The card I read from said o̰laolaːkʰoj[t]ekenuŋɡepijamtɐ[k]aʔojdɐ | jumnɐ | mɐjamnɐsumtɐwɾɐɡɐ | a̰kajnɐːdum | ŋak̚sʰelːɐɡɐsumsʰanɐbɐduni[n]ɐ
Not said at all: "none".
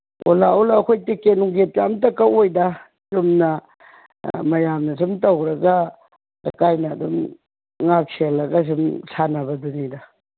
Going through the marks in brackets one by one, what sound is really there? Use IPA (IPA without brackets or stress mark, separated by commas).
t, k, d